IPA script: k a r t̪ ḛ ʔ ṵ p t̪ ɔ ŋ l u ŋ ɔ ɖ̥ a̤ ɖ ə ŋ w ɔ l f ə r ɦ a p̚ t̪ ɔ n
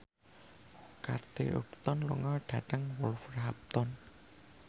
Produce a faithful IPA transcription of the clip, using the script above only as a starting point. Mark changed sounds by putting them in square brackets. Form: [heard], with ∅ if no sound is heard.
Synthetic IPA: k a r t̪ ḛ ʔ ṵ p t̪ ɔ [n] l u ŋ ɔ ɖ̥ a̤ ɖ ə ŋ w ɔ l f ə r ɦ a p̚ t̪ ɔ n